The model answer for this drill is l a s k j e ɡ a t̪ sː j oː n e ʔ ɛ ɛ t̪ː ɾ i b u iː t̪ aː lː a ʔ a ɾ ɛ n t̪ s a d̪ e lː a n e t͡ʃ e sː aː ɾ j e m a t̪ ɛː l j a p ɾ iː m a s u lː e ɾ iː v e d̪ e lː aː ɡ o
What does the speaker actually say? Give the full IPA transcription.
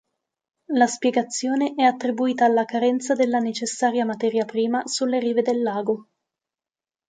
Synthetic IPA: l a s p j e ɡ a t̪ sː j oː n e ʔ ɛ a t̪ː ɾ i b u iː t̪ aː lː a k a ɾ ɛ n t̪ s a d̪ e lː a n e t͡ʃ e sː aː ɾ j a m a t̪ ɛː ɾ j a p ɾ iː m a s u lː e ɾ iː v e d̪ e lː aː ɡ o

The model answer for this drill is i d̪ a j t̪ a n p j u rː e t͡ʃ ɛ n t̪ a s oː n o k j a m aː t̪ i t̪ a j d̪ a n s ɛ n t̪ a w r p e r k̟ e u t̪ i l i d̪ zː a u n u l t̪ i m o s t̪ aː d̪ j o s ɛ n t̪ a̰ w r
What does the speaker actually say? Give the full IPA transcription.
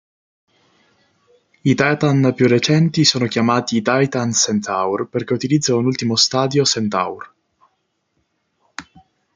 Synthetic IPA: i t̪ a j t̪ a n p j u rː e t͡ʃ ɛ n t̪ i s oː n o k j a m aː t̪ i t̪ a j t̪ a n s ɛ n t̪ a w r p e r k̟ e u t̪ i l i d̪ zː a u n u l t̪ i m o s t̪ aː d̪ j o s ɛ n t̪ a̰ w r

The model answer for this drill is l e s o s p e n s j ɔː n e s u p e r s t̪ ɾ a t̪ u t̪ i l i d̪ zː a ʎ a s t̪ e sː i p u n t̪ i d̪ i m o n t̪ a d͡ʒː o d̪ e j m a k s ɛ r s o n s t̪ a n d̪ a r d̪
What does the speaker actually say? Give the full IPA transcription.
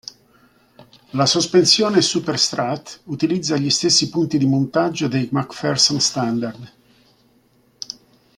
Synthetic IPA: l a s o s p e n s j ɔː n e s u p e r s t̪ ɾ a t̪ u t̪ i l i d̪ zː a ʎ i s t̪ e sː i p u n t̪ i d̪ i m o n t̪ a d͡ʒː o d̪ e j m a k f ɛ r s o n s t̪ a n d̪ a r d̪

